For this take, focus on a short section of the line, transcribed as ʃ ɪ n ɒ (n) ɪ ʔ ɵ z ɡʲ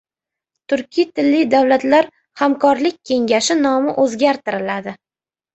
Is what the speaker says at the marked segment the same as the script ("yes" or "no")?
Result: no